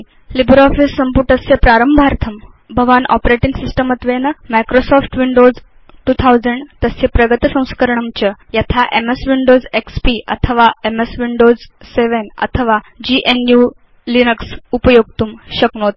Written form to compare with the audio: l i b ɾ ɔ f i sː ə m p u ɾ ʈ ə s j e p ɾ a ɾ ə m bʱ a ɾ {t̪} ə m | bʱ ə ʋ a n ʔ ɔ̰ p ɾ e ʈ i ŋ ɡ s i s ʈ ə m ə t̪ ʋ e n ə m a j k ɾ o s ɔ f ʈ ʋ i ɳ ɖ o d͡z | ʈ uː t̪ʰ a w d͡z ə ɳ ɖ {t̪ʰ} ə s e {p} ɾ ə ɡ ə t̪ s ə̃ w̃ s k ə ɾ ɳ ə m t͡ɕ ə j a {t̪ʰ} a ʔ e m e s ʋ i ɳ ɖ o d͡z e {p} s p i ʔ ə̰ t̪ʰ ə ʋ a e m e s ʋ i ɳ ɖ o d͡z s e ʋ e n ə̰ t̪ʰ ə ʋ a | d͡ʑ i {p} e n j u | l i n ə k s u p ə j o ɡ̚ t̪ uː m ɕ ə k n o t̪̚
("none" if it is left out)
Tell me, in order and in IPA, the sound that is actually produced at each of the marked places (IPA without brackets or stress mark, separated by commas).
t̪ʰ, t̪, p, t̪ʰ, k, ʔ